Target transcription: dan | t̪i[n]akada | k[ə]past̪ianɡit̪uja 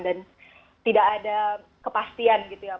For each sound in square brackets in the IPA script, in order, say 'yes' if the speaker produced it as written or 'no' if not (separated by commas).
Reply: no, yes